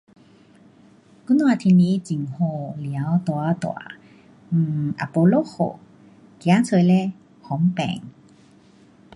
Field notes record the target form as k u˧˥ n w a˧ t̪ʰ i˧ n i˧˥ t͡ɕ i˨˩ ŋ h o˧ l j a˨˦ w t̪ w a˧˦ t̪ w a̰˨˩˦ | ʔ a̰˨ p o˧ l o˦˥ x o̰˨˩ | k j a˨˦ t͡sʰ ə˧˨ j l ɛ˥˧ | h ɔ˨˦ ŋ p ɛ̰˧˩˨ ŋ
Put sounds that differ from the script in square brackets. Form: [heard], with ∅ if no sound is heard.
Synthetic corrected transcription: k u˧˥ n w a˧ t̪ʰ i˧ n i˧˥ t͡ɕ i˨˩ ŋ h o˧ l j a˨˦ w t̪ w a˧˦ t̪ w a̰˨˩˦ | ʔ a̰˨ p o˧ l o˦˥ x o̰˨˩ | k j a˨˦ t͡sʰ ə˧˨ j l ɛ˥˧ | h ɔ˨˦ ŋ p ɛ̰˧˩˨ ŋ

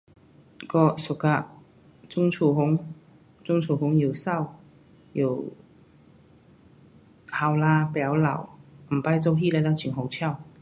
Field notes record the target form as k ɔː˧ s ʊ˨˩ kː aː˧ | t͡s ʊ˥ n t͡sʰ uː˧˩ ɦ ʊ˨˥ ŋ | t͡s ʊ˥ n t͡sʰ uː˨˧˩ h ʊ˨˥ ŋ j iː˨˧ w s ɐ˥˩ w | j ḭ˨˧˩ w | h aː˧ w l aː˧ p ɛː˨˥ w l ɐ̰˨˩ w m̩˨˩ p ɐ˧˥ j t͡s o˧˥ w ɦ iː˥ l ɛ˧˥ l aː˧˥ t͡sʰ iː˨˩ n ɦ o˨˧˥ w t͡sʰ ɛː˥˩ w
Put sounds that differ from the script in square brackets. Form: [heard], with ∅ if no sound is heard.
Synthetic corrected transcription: k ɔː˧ s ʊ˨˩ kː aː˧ | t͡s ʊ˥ [ŋ] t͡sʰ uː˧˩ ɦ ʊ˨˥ ŋ | t͡s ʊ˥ [ŋ] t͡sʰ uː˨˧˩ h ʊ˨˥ ŋ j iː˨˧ w s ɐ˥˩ w | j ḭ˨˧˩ w | h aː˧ w l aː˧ p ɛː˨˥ w l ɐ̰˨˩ w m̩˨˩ p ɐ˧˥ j t͡s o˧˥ w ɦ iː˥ l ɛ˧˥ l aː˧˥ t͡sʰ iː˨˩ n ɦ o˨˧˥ w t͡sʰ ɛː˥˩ w

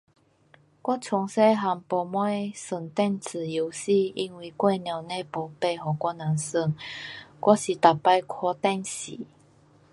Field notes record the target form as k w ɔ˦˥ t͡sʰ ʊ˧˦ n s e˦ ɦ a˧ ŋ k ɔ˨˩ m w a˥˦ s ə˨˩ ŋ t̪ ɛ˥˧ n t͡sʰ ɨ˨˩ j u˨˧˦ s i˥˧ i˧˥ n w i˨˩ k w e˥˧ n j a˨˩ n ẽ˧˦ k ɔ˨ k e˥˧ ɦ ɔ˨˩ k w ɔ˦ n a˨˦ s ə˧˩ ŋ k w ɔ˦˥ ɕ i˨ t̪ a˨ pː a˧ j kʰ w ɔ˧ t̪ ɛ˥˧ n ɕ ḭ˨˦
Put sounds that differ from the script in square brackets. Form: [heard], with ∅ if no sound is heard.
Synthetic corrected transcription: k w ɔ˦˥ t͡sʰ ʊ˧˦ [ŋ] s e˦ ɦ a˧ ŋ [p] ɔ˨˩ m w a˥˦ s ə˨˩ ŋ t̪ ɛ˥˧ n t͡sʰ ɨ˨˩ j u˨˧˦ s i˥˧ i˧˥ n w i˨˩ k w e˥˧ n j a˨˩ n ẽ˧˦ [p] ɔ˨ [p] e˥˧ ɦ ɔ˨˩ k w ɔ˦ n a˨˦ s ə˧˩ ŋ k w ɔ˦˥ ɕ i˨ t̪ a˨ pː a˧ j kʰ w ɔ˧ t̪ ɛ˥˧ n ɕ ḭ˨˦

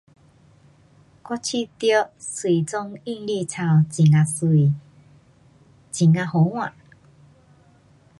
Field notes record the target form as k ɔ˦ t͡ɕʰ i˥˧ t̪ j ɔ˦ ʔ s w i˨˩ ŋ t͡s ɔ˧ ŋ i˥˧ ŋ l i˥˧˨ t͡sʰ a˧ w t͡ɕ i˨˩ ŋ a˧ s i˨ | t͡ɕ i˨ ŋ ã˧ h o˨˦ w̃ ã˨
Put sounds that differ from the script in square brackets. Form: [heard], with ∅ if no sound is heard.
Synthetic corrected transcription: k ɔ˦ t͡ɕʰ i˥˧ t̪ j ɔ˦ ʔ s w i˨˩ [∅] t͡s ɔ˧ ŋ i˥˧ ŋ l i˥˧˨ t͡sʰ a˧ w t͡ɕ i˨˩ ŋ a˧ s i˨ | t͡ɕ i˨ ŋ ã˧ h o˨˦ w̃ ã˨

